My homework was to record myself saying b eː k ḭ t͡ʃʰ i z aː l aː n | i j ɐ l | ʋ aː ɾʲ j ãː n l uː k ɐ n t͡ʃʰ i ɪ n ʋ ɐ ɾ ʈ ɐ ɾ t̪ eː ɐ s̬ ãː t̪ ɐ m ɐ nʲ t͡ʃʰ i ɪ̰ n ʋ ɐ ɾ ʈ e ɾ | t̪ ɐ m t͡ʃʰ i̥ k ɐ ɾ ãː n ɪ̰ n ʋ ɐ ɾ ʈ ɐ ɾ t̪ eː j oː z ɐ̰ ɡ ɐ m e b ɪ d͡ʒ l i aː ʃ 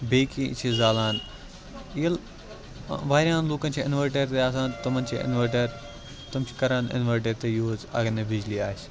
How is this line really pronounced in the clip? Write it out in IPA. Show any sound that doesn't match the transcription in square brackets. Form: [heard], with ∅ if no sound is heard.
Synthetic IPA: b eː k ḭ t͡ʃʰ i z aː l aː n | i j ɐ l | ʋ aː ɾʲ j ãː n l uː k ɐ n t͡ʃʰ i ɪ n ʋ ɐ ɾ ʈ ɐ ɾ t̪ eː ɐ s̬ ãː t̪ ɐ m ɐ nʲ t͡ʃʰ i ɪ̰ n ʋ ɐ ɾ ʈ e ɾ | t̪ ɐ m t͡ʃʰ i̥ k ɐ ɾ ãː n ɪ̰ n ʋ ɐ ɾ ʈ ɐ ɾ t̪ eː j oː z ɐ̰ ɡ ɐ [n] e b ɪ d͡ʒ l i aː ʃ